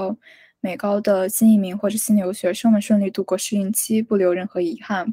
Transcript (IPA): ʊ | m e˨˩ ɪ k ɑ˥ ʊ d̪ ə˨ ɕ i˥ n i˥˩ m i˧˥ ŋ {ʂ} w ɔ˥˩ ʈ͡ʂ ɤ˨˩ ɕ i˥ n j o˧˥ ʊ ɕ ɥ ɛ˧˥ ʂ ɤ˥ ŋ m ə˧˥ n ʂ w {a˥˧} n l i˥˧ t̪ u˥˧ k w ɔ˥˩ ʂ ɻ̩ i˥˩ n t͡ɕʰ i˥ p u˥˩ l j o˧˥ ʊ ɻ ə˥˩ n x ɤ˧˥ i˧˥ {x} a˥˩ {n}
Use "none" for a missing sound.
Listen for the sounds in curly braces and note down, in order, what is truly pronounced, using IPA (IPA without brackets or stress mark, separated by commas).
x, ə˥˧, x, n